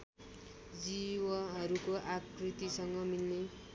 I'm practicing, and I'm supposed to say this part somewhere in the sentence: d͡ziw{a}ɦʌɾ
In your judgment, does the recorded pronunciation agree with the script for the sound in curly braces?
no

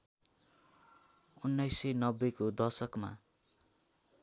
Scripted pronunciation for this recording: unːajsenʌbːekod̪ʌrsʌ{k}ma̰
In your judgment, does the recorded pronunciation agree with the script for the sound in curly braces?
yes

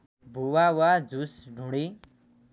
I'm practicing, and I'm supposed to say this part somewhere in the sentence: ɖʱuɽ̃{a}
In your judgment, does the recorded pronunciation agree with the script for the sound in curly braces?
no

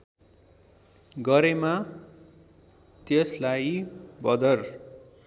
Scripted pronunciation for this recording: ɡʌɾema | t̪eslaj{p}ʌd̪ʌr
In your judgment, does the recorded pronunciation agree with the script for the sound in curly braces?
no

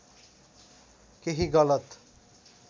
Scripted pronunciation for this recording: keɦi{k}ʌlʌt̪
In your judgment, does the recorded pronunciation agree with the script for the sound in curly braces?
no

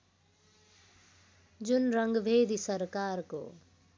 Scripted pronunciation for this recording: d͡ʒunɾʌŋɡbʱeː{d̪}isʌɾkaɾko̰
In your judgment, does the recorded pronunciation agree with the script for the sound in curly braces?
yes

